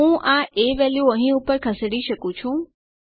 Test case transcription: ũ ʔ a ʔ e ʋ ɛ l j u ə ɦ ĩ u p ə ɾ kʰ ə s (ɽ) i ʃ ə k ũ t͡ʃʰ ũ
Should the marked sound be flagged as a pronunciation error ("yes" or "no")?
no